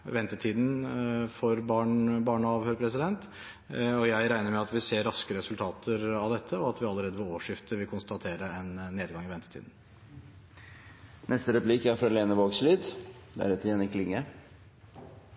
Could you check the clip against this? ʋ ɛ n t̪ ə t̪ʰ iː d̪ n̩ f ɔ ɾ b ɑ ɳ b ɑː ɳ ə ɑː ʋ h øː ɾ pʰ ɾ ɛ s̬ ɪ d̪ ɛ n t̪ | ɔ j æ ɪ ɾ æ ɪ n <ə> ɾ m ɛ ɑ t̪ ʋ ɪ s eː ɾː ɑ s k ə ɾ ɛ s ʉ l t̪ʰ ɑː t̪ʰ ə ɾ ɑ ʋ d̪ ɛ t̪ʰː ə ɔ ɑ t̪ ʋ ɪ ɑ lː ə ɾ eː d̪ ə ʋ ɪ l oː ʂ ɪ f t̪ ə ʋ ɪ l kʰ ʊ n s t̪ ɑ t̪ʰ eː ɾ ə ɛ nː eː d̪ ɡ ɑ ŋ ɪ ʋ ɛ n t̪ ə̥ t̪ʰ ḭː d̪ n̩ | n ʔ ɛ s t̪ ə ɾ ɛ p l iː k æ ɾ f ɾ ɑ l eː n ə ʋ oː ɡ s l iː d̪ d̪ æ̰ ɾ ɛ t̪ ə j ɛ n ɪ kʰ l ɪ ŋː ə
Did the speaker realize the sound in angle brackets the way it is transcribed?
yes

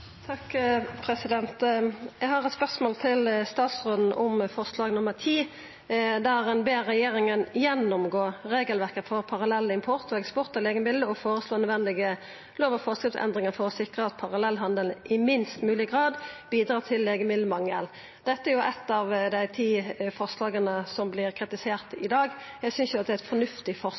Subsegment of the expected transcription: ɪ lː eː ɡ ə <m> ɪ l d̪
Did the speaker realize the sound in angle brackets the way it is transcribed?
yes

